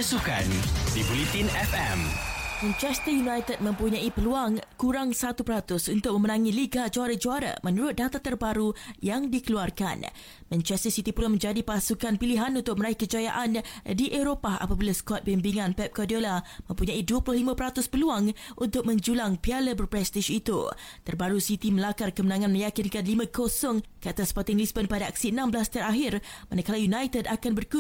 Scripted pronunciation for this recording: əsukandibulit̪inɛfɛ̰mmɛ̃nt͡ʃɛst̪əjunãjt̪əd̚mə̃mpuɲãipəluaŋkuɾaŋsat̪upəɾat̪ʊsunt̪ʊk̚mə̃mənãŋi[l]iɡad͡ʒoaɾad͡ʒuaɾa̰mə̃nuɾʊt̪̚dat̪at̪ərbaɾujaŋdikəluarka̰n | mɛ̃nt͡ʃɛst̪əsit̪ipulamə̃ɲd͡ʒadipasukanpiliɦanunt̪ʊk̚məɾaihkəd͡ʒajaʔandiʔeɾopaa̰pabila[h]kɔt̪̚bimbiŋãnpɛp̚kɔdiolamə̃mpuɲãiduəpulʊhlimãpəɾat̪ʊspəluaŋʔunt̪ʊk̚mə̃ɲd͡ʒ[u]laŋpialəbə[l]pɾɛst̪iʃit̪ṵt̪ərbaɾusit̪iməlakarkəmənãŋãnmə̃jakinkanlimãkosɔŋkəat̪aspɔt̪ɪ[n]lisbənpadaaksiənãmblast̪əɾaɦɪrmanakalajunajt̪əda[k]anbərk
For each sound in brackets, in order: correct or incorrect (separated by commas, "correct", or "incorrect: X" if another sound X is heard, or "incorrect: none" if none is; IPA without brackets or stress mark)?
correct, incorrect: s, correct, incorrect: r, incorrect: ŋ, correct